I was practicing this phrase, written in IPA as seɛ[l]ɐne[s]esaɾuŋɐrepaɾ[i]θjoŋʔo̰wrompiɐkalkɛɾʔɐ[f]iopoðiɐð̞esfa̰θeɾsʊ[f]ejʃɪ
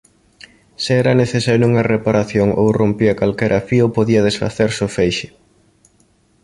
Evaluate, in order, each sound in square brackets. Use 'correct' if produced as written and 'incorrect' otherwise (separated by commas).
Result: incorrect, incorrect, incorrect, correct, correct